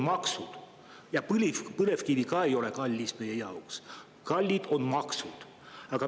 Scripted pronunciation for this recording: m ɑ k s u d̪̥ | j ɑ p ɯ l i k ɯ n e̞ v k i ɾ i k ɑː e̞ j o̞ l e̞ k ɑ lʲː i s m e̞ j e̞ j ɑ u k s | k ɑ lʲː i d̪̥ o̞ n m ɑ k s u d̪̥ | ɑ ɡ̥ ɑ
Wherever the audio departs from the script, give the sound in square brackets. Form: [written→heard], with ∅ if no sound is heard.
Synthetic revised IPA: m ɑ k s u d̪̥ | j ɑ p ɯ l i [k→p] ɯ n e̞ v k i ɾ i k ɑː e̞ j o̞ l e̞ k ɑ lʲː i s m e̞ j e̞ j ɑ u k s | k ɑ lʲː i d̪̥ o̞ n m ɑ k s u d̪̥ | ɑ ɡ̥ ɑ